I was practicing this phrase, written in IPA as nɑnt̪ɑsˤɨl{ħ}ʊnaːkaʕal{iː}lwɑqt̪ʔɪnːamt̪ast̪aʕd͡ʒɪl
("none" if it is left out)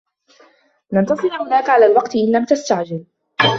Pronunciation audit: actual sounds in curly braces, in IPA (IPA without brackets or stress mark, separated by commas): h, aː